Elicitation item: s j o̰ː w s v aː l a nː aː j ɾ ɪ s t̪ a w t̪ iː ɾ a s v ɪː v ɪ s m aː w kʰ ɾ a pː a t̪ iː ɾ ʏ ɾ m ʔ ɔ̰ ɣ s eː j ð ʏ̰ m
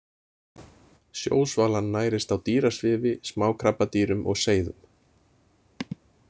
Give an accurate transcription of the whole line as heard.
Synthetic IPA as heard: s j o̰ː w s v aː l a nː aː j ɾ ɪ s t̪ a w t̪ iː ɾ a s v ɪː v ɪ s m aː w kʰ ɾ a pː a t̪ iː ɾ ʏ m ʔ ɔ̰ ɣ s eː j ð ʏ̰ m